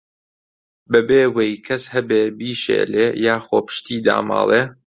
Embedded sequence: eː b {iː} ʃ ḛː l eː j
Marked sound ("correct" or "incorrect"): correct